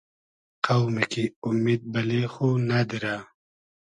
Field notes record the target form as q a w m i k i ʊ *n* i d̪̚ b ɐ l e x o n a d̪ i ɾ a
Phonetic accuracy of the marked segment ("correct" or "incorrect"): incorrect